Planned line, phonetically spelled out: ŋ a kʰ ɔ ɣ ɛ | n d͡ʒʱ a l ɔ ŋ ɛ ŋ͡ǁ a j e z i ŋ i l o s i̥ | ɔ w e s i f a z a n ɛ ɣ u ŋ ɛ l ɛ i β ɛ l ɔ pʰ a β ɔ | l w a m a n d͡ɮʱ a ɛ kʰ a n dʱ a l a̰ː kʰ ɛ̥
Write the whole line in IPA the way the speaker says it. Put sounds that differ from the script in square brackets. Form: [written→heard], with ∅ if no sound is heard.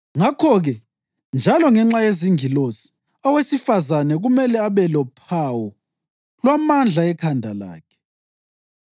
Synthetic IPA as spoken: ŋ a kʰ ɔ ɣ ɛ | n d͡ʒʱ a l ɔ ŋ ɛ ŋ͡ǁ a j e z i ŋ i l o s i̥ | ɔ w e s i f a z a n ɛ ɣ u [ŋ→m] ɛ l ɛ [i→a] β ɛ l ɔ pʰ a [β→w] ɔ | l w a m a n d͡ɮʱ a ɛ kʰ a n dʱ a l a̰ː kʰ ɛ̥

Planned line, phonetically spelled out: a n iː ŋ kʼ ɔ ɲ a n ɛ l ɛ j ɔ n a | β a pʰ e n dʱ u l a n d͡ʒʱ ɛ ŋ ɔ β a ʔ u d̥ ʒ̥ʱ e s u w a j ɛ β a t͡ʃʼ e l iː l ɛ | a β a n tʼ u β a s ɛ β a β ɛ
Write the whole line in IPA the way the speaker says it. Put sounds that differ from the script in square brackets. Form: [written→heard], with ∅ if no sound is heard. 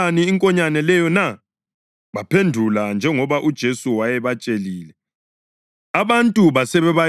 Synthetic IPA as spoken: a n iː ŋ kʼ ɔ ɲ a n ɛ l ɛ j ɔ n a | β a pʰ e n dʱ u l a n d͡ʒʱ ɛ ŋ ɔ β a ʔ u d̥ ʒ̥ʱ e s u w a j ɛ β a t͡ʃʼ e l iː l ɛ | a β a n tʼ u β a s ɛ β [a→ɛ] β [ɛ→a]

